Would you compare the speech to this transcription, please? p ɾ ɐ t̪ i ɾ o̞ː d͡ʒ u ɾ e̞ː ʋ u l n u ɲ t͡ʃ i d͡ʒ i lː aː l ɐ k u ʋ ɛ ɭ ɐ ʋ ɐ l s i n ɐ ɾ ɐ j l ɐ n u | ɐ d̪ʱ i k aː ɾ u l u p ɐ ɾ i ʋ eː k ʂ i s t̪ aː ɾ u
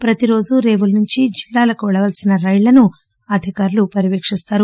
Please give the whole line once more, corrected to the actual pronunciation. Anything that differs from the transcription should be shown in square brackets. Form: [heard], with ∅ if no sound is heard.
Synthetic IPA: p ɾ ɐ t̪ i ɾ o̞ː d͡ʒ u ɾ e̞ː ʋ u l n u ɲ t͡ʃ i d͡ʒ i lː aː l ɐ k u ʋ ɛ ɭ ɐ ʋ ɐ l s i n ɐ ɾ ɐ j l ɐ n u | ɐ d̪ʱ i k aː ɾ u l u p ɐ ɾ i ʋ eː k ʂ i s t̪ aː ɾ u